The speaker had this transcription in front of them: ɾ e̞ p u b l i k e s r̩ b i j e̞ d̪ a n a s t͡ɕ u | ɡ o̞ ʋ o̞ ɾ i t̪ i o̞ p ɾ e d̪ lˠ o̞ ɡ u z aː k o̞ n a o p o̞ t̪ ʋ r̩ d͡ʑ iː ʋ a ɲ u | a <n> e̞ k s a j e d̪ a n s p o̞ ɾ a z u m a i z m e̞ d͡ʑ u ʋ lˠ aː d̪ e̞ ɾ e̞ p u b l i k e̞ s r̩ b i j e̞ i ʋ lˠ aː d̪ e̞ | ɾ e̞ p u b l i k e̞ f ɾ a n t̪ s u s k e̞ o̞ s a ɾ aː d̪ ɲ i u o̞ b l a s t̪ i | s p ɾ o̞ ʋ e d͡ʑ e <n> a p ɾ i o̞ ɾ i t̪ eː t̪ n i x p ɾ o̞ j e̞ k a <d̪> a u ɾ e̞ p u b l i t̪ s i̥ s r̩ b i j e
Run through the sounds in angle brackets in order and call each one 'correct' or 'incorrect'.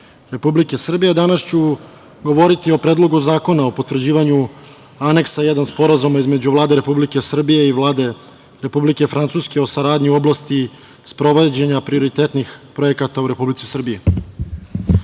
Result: correct, incorrect: ɲ, incorrect: t̪

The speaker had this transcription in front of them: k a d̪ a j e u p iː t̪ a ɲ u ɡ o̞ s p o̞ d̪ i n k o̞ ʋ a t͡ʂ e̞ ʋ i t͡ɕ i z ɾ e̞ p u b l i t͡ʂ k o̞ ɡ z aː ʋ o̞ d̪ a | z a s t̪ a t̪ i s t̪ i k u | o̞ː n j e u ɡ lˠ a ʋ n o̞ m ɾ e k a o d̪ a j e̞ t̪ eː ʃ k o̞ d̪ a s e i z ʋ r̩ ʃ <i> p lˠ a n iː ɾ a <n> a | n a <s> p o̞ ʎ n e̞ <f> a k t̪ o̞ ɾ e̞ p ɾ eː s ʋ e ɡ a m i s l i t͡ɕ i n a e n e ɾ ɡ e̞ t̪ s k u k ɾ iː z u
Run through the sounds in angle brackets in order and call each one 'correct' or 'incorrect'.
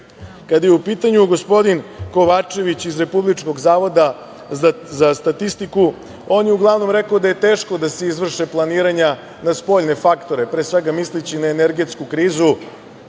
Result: incorrect: e, incorrect: ɲ, correct, correct

